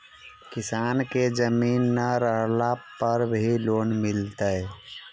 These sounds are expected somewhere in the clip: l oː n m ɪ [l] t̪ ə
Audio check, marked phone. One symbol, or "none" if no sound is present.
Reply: l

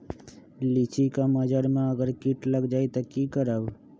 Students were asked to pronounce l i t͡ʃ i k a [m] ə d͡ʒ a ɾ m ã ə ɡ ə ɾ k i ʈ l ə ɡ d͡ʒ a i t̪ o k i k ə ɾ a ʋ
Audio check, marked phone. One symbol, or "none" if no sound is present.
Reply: m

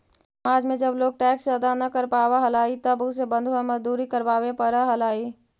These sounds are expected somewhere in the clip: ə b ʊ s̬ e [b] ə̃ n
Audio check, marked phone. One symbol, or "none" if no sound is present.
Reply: b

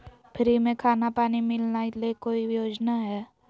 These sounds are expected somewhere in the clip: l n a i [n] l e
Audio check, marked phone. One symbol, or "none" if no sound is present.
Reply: none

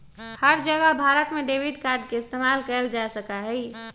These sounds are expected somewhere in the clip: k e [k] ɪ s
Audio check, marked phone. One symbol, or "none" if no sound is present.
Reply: none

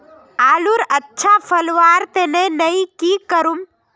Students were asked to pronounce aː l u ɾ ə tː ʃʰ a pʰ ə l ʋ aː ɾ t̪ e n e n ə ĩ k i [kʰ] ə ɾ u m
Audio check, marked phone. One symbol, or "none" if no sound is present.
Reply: k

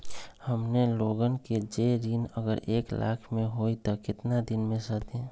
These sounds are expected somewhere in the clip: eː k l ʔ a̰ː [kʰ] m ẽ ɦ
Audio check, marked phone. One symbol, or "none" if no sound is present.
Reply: kʰ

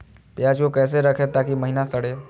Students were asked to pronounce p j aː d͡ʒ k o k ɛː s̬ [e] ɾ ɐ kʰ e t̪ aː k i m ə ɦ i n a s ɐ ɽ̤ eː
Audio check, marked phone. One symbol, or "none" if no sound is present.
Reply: e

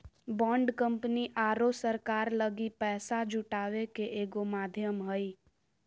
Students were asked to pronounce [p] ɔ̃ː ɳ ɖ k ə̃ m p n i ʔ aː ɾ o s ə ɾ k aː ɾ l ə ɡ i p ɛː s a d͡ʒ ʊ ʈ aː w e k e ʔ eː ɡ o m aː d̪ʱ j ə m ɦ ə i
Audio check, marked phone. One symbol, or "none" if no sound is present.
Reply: b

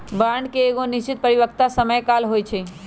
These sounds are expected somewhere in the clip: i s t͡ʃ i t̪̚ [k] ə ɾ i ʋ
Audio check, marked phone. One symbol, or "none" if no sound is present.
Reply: p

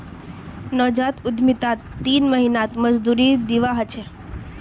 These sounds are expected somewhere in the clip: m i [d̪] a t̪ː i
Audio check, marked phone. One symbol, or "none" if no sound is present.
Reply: t̪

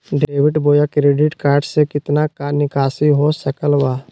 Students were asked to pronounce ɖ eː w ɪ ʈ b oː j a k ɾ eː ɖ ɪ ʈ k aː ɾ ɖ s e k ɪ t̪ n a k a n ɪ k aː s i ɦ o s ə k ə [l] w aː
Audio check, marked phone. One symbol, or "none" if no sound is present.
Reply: l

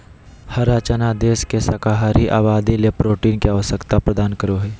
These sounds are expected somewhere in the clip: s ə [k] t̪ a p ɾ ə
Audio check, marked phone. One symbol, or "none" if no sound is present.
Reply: k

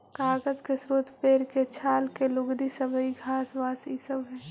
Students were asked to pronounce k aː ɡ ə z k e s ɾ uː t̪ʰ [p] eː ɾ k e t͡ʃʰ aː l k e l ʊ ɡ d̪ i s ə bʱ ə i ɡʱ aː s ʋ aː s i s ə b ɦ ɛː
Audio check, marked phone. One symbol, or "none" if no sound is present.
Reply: p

